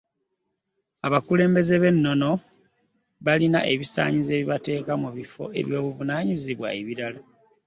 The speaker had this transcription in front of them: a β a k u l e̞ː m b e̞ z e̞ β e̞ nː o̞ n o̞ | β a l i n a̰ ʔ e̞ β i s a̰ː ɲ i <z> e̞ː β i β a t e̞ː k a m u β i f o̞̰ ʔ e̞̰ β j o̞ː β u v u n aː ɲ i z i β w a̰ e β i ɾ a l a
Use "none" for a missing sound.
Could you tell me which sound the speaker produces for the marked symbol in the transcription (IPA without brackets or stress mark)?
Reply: z